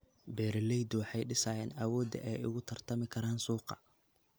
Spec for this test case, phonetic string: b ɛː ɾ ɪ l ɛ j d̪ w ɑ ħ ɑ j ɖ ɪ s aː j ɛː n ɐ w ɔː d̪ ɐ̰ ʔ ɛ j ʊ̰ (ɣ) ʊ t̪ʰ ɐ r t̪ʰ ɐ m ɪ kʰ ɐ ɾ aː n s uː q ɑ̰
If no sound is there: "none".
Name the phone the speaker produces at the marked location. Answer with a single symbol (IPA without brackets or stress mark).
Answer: ɣ